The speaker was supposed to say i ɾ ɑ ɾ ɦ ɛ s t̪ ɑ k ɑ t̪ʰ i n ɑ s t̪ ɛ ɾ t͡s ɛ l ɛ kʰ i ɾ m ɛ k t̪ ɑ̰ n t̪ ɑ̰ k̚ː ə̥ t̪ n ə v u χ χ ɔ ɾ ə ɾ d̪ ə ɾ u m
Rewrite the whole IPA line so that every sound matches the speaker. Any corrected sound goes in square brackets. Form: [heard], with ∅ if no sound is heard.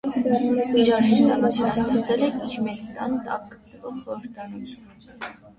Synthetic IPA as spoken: i ɾ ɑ ɾ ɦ ɛ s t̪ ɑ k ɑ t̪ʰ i n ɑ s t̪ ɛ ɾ t͡s ɛ l ɛ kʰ i ɾ m ɛ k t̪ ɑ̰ n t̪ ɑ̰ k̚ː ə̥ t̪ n ə v [ɔ] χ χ ɔ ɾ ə ɾ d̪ [ɑ] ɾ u m